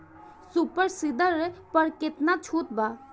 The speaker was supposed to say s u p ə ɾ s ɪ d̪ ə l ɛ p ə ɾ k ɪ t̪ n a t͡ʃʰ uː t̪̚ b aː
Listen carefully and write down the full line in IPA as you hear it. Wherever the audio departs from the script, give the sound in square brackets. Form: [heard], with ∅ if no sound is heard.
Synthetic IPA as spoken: s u p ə ɾ s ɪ d̪ ə [ɾ] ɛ p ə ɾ k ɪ t̪ n a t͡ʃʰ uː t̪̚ b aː

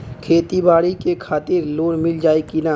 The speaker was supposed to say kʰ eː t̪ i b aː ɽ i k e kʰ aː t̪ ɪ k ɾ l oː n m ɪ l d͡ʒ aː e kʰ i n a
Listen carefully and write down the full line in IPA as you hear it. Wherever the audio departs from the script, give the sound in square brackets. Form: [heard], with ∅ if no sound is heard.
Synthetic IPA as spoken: kʰ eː t̪ i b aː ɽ i k e kʰ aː t̪ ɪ [∅] ɾ l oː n m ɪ l d͡ʒ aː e [k] i n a

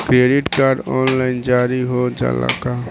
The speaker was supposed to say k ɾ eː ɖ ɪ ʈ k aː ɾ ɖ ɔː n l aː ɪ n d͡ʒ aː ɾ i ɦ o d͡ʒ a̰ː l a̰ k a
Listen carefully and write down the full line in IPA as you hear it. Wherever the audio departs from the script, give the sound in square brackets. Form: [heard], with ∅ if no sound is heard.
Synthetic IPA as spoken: k ɾ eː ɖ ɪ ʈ k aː ɾ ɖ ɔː n l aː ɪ n d͡ʒ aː ɾ i ɦ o d͡ʒ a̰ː l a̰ k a

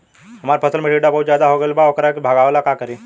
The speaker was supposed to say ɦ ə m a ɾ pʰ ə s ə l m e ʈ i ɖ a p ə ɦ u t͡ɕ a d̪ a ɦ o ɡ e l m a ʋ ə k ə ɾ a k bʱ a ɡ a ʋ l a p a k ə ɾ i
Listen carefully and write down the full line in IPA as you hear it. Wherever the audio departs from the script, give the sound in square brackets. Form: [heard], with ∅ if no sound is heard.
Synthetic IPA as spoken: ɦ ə m a ɾ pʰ ə s ə l m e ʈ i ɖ a p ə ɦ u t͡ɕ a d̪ a ɦ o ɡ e l [b] a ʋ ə k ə ɾ a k bʱ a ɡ a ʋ l a [k] a k ə ɾ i

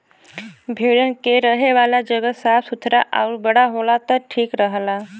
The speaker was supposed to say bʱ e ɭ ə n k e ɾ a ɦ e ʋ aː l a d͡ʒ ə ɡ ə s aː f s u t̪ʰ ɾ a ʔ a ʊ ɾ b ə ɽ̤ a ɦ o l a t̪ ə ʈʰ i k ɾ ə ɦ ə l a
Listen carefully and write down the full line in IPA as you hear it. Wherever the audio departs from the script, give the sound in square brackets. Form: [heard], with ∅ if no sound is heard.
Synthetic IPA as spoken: bʱ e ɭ ə n k e ɾ [ə] ɦ e ʋ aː l a d͡ʒ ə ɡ ə s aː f s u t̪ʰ ɾ a ʔ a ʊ ɾ b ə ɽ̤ a ɦ o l a t̪ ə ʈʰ [iː] k ɾ ə ɦ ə l a

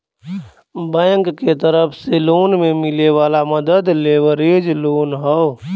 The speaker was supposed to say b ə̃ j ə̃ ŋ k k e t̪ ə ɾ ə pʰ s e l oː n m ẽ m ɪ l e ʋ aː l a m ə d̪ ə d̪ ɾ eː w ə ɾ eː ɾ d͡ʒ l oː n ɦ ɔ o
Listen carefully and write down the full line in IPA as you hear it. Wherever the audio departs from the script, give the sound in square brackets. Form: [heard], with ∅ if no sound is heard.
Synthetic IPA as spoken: b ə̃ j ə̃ ŋ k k e t̪ ə ɾ ə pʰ s e l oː n m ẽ m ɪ l e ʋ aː l a m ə d̪ ə d̪ [l] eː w ə ɾ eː [∅] d͡ʒ l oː n ɦ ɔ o

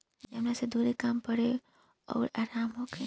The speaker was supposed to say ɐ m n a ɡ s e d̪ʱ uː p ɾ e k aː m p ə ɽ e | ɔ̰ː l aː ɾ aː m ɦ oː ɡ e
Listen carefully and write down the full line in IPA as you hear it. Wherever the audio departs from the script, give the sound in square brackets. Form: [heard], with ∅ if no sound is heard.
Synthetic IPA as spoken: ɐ m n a [∅] s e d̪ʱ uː [∅] ɾ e k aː m p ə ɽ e | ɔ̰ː [ɾ] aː ɾ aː m ɦ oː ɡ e

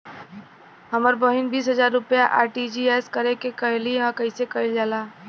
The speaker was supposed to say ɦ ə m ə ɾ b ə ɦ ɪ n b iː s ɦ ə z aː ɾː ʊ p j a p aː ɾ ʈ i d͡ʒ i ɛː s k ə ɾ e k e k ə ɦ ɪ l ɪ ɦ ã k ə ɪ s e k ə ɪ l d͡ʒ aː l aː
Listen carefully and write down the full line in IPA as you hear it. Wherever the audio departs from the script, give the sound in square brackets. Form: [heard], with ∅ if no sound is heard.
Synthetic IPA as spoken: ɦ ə m ə ɾ b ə ɦ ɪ n b iː s ɦ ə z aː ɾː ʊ p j a [ʔ] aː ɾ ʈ i d͡ʒ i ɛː s k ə ɾ e k e k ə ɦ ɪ l [i] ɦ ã k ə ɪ s e k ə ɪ l d͡ʒ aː l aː

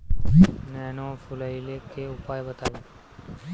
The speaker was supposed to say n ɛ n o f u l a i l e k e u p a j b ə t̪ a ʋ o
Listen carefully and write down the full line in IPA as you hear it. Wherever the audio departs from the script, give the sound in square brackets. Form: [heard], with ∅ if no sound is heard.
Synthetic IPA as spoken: n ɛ n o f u l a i l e k e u p a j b ə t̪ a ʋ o

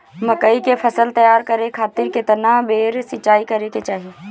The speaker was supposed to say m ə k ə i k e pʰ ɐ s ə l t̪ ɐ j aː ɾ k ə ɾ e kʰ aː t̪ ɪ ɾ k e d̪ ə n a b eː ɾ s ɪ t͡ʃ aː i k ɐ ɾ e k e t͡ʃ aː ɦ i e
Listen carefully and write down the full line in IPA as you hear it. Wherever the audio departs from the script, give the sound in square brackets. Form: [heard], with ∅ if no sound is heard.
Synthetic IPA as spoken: m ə k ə i k e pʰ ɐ s ə l t̪ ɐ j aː ɾ k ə ɾ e kʰ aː t̪ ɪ ɾ k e [t̪] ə n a b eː ɾ s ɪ t͡ʃ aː i k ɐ ɾ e k e t͡ʃ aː ɦ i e

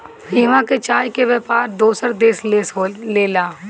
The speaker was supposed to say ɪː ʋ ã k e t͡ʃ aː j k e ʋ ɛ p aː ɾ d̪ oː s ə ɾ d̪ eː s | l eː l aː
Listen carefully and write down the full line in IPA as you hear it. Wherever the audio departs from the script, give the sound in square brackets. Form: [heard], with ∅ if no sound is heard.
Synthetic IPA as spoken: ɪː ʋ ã k e t͡ʃ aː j k e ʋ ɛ p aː ɾ d̪ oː s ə ɾ d̪ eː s | l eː l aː

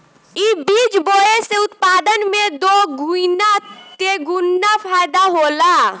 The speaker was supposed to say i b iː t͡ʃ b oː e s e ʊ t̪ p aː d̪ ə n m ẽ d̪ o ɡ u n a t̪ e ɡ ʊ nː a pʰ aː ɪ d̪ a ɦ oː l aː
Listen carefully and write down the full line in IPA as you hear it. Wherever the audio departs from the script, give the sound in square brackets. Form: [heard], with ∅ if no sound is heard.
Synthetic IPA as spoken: i b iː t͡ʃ b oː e s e ʊ t̪ p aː d̪ ə n m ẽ d̪ o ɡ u n a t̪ e ɡ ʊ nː a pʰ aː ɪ d̪ a ɦ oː l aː

